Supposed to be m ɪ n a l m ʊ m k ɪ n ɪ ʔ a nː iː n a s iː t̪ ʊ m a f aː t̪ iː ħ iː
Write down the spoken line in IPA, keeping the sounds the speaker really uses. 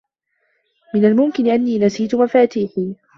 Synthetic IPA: m ɪ n a l m ʊ m k ɪ n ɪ ʔ a nː iː n a s iː t̪ ʊ m a f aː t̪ iː ħ iː